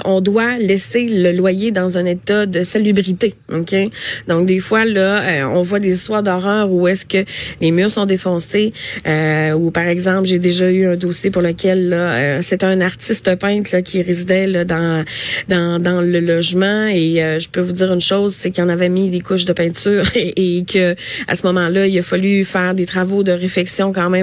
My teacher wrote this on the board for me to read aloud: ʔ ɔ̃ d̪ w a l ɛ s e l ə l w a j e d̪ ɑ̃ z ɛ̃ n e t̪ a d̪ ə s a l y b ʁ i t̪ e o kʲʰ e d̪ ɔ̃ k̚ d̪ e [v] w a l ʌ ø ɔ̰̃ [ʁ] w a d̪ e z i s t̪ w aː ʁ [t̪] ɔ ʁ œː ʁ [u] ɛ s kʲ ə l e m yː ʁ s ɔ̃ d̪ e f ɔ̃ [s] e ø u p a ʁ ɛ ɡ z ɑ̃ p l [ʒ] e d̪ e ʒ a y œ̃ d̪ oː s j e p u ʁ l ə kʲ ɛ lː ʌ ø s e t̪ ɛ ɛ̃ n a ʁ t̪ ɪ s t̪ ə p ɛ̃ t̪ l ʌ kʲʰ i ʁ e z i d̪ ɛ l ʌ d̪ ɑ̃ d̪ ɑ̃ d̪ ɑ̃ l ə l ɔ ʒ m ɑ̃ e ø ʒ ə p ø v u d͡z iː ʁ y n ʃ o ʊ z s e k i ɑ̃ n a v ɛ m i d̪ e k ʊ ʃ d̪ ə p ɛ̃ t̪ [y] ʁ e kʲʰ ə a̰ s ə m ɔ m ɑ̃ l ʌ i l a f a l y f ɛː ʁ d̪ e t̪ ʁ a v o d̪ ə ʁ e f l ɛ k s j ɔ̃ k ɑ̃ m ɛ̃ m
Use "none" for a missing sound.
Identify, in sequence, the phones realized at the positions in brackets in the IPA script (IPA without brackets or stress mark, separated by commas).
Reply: f, v, d̪, u, s, ʒ, yː